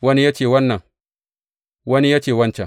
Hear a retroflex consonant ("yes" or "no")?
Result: no